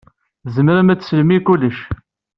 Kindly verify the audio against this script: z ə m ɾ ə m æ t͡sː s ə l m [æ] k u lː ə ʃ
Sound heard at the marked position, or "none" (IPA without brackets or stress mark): i